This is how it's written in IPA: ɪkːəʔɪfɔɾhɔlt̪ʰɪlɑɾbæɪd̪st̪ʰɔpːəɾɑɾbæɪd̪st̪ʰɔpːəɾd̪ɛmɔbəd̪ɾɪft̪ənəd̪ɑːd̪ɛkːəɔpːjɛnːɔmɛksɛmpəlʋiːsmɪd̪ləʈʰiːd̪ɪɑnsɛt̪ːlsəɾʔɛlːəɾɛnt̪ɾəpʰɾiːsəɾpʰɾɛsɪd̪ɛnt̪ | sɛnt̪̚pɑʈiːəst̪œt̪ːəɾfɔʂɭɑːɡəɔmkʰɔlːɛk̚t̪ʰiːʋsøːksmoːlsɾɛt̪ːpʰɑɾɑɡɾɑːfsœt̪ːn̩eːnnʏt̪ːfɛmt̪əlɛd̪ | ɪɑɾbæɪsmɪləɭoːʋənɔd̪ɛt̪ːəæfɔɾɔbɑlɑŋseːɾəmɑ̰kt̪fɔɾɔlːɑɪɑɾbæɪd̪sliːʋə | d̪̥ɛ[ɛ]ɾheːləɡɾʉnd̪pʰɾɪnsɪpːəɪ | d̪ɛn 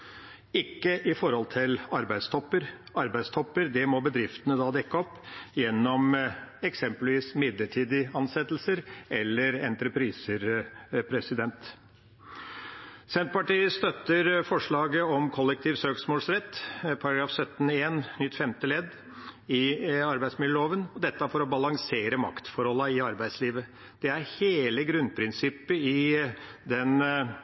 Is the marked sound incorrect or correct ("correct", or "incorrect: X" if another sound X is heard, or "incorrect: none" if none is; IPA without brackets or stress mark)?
incorrect: æ